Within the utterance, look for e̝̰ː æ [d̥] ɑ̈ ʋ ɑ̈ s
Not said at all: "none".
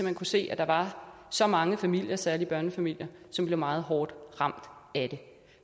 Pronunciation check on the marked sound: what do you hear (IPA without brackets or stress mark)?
d̥